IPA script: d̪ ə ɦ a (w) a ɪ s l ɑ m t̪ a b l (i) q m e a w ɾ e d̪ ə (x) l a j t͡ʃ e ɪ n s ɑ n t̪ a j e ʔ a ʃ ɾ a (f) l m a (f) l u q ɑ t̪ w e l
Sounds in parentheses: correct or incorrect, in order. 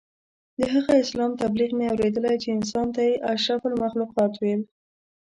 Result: incorrect, correct, incorrect, correct, incorrect

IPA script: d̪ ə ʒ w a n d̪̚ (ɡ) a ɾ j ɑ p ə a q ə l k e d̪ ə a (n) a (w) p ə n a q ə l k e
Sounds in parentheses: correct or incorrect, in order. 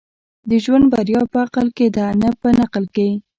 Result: incorrect, correct, incorrect

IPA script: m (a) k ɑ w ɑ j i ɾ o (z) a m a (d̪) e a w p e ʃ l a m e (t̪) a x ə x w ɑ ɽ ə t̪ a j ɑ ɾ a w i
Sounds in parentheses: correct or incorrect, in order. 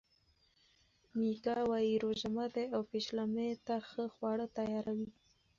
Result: incorrect, incorrect, correct, correct

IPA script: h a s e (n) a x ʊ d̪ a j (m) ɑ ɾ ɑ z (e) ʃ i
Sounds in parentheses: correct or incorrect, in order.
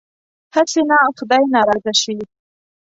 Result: correct, incorrect, incorrect

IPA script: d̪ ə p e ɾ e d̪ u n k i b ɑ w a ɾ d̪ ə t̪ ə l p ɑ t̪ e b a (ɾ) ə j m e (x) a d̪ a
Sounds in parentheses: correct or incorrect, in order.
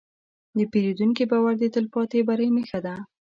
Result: correct, correct

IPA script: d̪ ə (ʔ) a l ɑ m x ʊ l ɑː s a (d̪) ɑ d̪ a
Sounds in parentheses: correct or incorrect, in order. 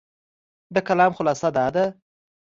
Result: incorrect, correct

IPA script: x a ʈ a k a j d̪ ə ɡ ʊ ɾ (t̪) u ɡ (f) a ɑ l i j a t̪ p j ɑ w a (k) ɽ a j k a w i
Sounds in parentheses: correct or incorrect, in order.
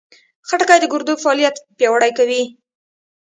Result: incorrect, correct, incorrect

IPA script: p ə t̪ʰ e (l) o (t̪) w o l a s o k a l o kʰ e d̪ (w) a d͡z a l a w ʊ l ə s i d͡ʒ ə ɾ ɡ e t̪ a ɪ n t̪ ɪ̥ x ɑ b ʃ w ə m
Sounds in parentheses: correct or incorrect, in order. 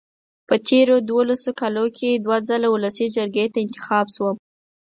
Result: incorrect, incorrect, correct

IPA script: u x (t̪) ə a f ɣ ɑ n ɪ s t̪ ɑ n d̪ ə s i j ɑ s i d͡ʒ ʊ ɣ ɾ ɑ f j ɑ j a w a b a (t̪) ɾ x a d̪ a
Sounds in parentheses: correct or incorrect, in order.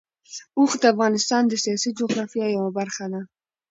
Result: incorrect, incorrect

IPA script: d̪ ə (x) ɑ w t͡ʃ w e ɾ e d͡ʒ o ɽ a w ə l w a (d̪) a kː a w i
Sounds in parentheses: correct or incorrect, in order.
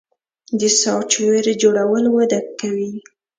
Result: incorrect, correct

